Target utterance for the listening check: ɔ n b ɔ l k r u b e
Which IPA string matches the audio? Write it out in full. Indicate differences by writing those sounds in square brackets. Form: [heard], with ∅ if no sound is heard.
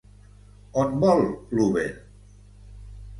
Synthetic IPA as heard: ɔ n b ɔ l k [l] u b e